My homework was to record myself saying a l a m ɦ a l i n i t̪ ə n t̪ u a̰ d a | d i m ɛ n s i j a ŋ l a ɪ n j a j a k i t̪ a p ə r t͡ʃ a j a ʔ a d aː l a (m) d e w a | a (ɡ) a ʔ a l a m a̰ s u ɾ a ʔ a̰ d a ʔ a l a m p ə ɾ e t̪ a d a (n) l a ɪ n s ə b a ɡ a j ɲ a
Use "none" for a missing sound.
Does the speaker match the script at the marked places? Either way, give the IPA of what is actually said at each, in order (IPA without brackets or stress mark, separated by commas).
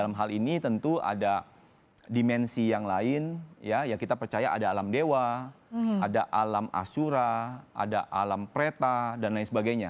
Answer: m, d, n